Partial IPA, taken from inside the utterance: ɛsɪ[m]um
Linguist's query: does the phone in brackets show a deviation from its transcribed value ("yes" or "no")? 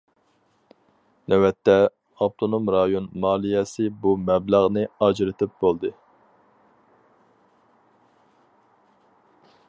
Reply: yes